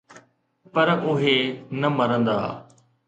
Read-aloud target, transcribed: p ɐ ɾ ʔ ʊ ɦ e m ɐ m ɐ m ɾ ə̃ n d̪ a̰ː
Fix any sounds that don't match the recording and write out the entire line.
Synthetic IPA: p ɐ ɾ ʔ ʊ ɦ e n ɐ m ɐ ɾ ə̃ n d̪ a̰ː